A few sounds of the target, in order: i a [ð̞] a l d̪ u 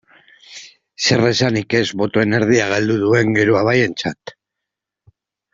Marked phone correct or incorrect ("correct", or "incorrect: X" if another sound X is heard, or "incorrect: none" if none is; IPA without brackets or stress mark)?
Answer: incorrect: ɣ̞